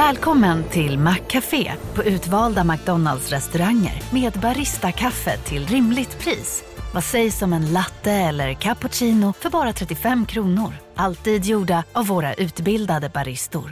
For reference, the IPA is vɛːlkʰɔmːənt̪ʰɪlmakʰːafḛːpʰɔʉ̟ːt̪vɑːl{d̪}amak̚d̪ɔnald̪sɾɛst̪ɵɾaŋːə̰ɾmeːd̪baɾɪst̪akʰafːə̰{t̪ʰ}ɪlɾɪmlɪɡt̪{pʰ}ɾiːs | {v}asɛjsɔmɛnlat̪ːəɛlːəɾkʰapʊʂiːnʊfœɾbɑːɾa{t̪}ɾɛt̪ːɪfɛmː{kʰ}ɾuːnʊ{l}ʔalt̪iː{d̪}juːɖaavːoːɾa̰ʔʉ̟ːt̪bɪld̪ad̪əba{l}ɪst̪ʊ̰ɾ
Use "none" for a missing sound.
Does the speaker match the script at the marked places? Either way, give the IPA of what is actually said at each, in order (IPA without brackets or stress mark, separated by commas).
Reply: d̪, t̪ʰ, pʰ, v, t̪ʰ, kʰ, ɾ, d̪, ɾ